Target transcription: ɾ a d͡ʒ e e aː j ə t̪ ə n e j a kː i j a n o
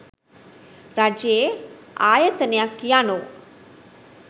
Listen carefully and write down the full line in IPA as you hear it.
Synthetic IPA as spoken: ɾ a d͡ʒ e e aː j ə t̪ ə n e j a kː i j a n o